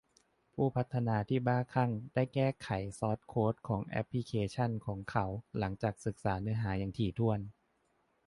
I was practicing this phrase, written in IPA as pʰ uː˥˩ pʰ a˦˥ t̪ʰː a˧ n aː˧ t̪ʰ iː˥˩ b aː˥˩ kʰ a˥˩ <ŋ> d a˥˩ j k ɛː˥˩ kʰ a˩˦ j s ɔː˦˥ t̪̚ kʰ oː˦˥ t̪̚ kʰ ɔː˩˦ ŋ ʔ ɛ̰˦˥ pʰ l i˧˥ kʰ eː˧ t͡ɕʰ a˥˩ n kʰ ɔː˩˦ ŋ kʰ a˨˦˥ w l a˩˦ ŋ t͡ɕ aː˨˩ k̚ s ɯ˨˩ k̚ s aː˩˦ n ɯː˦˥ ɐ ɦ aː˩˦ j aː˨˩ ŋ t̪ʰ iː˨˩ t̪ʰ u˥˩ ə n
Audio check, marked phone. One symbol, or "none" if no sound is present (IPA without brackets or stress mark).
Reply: ŋ